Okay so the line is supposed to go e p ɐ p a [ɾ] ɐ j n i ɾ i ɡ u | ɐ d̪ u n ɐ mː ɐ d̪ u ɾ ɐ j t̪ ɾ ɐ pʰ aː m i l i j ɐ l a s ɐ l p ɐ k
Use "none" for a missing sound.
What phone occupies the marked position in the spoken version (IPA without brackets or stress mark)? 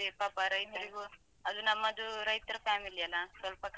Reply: ɾ